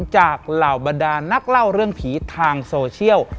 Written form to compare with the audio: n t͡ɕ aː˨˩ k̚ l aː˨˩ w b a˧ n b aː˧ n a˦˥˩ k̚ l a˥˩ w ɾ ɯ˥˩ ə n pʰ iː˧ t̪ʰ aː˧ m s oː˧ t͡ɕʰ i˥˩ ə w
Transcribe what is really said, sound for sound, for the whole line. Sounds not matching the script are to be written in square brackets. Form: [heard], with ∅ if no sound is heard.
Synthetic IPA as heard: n t͡ɕ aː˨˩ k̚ l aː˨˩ w b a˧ n [d] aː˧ n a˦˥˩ k̚ l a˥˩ w ɾ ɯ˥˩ ə [ŋ] pʰ [iː˩˦] t̪ʰ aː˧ [ŋ] s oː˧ t͡ɕʰ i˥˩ ə w